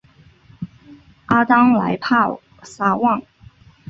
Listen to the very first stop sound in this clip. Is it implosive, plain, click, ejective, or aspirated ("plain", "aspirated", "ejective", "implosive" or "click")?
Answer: plain